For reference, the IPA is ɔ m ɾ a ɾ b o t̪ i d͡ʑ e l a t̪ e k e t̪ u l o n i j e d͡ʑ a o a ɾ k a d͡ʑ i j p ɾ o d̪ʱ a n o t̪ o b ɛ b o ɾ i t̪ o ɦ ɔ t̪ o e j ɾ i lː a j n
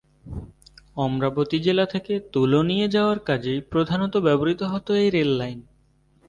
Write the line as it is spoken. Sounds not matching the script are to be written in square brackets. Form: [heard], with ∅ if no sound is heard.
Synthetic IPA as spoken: ɔ m ɾ a [∅] b o t̪ i d͡ʑ e l a [t̪ʰ] e k e t̪ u l o n i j e d͡ʑ a o a ɾ k a d͡ʑ [e] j p ɾ o d̪ʱ a n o t̪ o b ɛ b o ɾ i t̪ o ɦ ɔ t̪ o e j ɾ [e] lː a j n